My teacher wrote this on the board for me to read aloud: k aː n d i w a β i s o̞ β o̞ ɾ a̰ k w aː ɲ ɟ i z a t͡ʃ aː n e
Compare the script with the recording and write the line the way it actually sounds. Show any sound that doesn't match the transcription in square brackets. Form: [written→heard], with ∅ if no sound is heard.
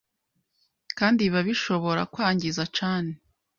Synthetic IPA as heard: k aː n d i [w→β] a β i [s→ʃ] o̞ β o̞ ɾ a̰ k w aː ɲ ɟ i z a t͡ʃ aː n e